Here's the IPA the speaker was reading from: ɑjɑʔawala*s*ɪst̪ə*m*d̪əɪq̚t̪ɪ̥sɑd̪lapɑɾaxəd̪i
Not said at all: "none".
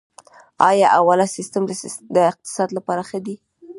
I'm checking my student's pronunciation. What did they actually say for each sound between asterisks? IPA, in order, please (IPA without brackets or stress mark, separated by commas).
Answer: s, m